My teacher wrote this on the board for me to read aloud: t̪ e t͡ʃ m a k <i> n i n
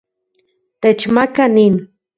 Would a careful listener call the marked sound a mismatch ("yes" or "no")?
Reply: yes